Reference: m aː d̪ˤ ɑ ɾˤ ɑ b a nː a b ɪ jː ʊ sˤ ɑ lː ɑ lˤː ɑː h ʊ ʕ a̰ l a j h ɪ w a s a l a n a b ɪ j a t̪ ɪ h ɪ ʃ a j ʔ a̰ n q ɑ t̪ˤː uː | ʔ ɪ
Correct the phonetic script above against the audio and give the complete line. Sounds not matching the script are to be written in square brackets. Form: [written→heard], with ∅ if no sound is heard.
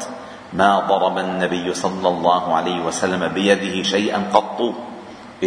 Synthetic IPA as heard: m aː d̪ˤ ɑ ɾˤ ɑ b a nː a b ɪ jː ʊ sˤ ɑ lː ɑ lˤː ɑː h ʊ ʕ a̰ l a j h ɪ w a s a [l→lː] a [n→m] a b ɪ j a [t̪→d̪] ɪ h ɪ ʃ a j ʔ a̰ n q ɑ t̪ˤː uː | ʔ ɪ